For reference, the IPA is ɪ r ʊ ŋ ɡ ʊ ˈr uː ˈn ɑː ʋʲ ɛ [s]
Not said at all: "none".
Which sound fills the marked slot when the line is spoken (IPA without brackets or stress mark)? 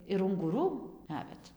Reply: t